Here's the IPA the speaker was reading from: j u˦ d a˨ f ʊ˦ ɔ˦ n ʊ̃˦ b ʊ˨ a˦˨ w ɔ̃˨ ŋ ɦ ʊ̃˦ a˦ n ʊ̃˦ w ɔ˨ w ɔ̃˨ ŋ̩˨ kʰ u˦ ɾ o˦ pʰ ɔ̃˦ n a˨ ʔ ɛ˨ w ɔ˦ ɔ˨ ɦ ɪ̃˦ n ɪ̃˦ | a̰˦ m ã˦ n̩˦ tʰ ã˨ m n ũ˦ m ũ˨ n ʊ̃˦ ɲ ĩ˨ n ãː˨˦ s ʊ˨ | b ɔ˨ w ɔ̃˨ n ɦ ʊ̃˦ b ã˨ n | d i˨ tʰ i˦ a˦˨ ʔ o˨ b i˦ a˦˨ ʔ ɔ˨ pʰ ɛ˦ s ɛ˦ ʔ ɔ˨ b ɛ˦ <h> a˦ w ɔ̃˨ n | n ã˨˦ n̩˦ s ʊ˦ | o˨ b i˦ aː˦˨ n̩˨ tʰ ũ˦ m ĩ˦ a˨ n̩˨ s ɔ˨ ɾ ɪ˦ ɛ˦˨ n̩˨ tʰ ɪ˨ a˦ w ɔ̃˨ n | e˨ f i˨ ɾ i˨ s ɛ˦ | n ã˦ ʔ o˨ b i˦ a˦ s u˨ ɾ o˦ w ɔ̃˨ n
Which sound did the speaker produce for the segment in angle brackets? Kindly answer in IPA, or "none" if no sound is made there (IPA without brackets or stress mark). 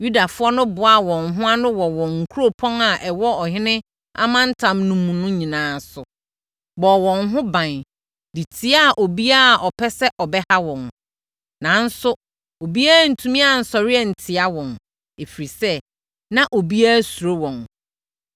h